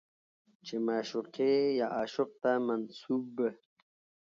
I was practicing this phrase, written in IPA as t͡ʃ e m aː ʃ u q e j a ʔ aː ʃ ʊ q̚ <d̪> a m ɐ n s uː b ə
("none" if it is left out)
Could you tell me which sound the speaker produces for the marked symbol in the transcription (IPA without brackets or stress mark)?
t̪